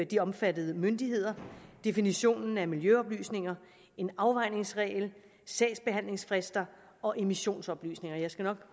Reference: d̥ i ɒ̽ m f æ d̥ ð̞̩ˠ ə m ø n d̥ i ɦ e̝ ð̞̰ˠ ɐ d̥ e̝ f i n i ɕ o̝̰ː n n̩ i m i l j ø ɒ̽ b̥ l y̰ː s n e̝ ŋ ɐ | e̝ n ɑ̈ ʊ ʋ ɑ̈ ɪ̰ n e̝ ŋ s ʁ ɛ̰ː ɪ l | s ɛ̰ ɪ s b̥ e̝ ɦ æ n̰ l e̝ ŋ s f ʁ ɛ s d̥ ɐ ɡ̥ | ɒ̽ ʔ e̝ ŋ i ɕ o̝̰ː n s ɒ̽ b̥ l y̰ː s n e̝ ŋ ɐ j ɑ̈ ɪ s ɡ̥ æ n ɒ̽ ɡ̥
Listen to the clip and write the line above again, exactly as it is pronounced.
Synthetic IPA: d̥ i ɒ̽ m f æ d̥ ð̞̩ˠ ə m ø n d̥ i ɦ e̝ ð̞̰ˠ ɐ d̥ e̝ f i n i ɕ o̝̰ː n n̩ æ m i l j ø ɒ̽ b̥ l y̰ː s n e̝ ŋ ɐ | e̝ n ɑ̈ ʊ ʋ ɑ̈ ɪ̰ n e̝ ŋ s ʁ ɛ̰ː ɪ l | s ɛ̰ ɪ s b̥ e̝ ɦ æ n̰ l e̝ ŋ s f ʁ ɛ s d̥ ɐ | ɒ̽ ʔ e̝ m i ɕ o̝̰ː n s ɒ̽ b̥ l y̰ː s n e̝ ŋ ɐ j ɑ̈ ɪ s ɡ̥ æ n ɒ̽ ɡ̥